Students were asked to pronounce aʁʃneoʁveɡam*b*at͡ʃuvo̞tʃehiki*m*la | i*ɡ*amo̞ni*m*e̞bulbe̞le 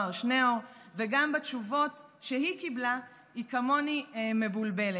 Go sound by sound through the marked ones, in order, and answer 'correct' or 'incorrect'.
correct, incorrect, incorrect, correct

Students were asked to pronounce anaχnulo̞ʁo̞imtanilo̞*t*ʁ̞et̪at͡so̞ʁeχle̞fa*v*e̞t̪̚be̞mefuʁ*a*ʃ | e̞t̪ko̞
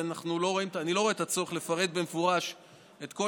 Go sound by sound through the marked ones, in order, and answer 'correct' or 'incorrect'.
incorrect, incorrect, correct

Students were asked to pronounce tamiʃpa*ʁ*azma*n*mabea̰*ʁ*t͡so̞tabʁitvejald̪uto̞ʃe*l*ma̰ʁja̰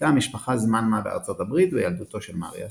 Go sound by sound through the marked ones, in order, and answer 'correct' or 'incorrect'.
incorrect, correct, correct, correct

